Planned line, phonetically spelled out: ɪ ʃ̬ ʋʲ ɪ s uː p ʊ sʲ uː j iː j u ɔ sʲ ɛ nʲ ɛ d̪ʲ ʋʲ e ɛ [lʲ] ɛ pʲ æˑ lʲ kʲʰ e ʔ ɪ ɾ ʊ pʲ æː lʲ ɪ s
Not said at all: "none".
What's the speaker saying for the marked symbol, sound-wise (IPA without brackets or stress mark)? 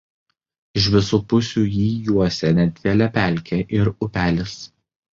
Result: lʲ